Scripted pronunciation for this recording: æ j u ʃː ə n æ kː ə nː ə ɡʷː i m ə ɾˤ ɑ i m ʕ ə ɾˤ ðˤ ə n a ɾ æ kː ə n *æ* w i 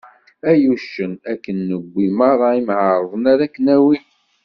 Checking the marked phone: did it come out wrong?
no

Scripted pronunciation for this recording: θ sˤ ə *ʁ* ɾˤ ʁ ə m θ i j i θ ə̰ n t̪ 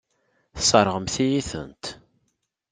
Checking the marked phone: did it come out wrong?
yes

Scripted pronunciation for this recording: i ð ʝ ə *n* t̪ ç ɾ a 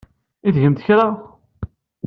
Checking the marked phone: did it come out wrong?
yes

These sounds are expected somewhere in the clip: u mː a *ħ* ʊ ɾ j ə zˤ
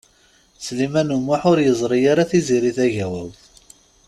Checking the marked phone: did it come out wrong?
no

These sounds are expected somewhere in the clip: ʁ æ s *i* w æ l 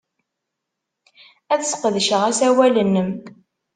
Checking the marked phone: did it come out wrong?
yes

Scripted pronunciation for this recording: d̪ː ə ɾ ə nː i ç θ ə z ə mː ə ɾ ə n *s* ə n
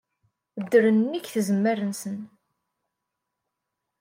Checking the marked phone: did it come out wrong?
no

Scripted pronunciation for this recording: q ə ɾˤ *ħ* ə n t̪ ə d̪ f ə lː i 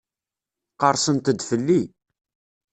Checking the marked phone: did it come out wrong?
yes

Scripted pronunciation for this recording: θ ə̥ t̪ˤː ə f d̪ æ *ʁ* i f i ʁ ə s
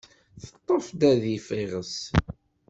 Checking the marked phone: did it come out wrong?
yes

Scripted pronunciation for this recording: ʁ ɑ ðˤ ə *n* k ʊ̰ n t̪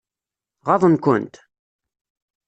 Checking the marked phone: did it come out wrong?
no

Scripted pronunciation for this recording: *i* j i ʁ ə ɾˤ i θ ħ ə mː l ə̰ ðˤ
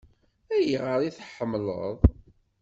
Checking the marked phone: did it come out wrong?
yes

